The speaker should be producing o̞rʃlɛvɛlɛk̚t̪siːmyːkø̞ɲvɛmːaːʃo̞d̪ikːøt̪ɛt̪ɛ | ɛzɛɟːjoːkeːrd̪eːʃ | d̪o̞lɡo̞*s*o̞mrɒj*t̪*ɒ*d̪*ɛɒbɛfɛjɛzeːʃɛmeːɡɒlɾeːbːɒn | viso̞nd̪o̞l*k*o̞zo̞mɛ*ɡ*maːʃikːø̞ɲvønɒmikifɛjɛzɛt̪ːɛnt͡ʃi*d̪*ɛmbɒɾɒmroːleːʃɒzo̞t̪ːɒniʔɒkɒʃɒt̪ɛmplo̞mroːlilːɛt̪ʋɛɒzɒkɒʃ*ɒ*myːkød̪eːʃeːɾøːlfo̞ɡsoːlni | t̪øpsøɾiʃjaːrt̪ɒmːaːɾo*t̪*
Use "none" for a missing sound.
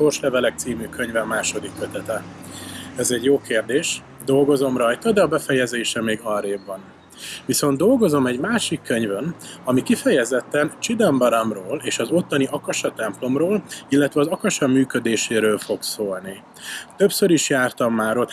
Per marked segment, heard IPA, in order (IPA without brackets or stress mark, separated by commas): z, t̪, d̪, ɡ, ɟ, d̪, ɒ, t̪